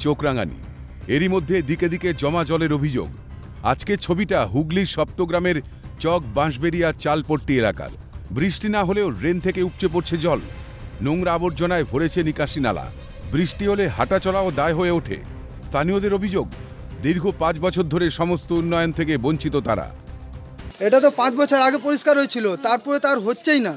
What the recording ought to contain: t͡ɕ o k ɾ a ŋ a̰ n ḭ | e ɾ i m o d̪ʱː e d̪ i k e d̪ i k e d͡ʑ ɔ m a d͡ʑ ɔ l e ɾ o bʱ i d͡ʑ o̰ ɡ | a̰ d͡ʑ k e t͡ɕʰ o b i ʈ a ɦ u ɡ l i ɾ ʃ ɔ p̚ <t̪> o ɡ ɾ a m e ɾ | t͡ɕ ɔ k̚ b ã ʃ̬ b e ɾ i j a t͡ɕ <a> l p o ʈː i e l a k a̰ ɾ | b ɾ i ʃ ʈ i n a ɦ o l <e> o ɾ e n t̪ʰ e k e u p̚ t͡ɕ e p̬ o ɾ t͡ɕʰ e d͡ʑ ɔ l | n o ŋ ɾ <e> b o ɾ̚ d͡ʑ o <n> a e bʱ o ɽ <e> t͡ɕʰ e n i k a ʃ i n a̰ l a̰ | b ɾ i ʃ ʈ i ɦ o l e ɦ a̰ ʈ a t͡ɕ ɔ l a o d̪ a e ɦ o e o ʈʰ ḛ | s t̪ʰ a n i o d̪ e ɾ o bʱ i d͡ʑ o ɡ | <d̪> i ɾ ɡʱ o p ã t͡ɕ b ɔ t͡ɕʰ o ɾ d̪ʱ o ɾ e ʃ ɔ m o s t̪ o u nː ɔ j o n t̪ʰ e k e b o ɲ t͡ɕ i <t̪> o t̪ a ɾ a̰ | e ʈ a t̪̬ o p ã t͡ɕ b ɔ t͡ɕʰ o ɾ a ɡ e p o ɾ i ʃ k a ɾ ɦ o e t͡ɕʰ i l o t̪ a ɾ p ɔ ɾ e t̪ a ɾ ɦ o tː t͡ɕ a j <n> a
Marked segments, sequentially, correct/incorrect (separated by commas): correct, correct, correct, incorrect, correct, correct, correct, correct, correct